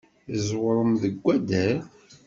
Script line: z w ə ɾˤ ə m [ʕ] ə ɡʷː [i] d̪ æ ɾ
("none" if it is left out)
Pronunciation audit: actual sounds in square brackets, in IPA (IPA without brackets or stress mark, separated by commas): ð, æ